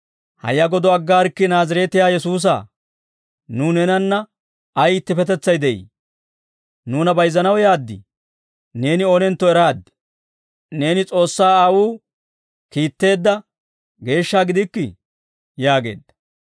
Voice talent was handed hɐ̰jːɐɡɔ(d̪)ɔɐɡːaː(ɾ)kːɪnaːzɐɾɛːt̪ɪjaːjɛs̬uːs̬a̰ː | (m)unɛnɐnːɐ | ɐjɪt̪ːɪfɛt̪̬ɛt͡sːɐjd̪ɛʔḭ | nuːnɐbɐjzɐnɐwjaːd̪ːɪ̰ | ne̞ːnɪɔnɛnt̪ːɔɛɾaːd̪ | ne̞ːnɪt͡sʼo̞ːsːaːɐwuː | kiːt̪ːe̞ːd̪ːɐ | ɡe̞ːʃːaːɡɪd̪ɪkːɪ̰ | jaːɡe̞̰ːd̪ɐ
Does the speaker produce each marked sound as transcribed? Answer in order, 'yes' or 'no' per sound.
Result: yes, yes, no

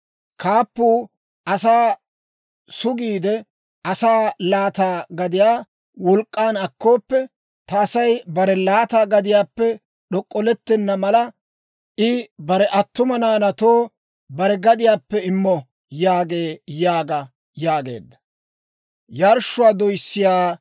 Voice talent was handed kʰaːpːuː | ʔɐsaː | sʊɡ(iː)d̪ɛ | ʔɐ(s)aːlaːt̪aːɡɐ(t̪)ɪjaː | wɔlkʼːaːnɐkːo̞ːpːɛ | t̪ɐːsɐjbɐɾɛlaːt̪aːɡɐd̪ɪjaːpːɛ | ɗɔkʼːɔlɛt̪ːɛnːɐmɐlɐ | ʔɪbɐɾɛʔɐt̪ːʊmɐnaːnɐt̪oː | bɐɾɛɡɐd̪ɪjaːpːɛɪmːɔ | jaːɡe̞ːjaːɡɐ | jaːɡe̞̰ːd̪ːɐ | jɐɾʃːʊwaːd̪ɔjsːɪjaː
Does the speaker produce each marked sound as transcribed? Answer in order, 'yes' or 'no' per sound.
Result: yes, yes, no

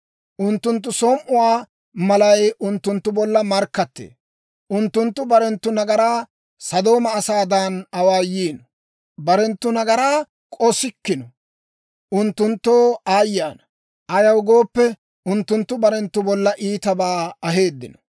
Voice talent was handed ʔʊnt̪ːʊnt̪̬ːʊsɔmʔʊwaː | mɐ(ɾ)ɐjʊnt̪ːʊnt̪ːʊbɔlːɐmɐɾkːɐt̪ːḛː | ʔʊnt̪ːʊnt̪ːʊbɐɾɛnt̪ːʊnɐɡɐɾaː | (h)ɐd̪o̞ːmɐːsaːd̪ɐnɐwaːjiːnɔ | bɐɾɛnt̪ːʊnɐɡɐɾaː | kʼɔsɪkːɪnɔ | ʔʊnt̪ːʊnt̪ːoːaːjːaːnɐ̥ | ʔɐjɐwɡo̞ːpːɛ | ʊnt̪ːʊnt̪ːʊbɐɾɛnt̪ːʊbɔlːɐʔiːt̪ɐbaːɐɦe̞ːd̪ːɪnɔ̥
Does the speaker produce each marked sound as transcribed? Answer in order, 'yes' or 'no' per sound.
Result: no, no

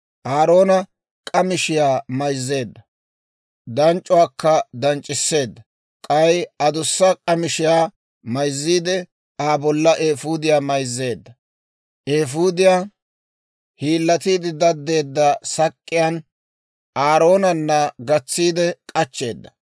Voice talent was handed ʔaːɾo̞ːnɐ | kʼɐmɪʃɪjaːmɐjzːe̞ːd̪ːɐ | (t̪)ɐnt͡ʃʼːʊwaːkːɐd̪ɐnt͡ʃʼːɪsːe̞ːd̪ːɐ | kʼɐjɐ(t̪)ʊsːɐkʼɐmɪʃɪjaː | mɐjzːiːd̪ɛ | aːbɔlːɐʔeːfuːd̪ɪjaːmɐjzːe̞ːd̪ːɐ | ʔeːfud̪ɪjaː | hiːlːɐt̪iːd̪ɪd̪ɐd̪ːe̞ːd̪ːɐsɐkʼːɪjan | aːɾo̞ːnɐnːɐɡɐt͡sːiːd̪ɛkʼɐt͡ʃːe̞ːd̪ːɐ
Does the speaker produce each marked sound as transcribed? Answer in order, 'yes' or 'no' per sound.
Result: no, no

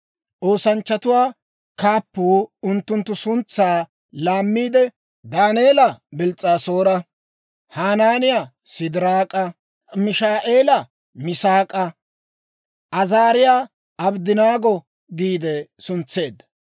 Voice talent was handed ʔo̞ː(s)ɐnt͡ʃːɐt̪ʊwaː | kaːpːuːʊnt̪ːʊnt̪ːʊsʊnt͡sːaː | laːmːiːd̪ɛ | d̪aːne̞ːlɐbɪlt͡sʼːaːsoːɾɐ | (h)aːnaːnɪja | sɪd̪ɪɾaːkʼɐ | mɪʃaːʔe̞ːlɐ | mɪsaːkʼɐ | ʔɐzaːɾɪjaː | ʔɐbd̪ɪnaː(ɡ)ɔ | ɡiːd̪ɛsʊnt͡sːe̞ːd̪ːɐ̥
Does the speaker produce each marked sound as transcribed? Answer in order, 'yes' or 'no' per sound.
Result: yes, yes, yes

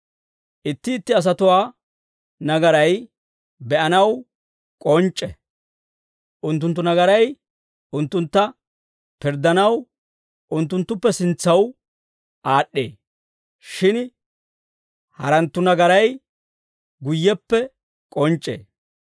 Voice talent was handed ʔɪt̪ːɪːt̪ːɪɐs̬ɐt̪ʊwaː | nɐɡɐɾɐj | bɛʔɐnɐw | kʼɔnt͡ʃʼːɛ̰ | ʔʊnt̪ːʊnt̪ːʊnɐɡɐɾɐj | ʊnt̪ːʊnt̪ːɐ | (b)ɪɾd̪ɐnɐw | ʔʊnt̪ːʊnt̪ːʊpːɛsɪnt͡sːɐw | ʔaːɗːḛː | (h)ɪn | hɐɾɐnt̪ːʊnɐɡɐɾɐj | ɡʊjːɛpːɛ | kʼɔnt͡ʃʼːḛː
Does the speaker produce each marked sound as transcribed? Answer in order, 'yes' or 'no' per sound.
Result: no, no

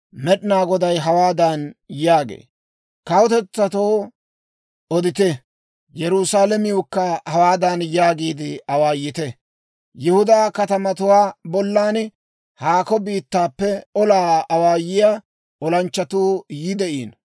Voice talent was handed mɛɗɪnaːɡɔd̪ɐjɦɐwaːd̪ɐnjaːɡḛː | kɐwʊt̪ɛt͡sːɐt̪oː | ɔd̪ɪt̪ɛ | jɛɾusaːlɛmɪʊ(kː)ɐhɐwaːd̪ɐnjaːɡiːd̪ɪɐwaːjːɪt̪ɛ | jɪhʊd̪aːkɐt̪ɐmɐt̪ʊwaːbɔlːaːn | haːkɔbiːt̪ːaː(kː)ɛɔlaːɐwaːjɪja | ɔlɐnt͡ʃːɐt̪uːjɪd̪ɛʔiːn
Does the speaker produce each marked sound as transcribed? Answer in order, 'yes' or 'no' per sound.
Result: yes, no

